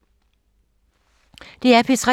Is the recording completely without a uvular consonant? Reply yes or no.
no